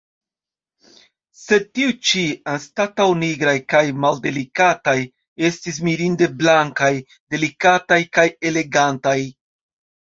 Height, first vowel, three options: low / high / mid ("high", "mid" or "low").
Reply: mid